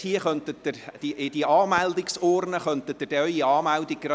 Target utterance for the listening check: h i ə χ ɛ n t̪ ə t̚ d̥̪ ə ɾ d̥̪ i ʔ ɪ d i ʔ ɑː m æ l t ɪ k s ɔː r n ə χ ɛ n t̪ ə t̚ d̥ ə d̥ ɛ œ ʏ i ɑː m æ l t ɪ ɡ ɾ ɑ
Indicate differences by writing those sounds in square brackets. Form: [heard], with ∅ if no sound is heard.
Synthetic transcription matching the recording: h i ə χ [œ] n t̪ ə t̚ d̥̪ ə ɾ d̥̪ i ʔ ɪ d i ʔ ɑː m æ l [d] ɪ k s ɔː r n ə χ [œ] n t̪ ə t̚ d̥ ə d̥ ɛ œ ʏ i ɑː m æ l [d] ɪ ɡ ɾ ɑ